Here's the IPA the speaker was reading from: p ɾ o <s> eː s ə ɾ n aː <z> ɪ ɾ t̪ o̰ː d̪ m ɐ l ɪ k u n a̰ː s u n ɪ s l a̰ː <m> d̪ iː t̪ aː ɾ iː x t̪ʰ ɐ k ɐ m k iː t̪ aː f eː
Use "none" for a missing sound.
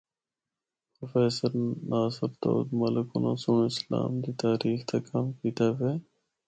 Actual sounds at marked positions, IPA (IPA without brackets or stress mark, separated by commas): f, s, m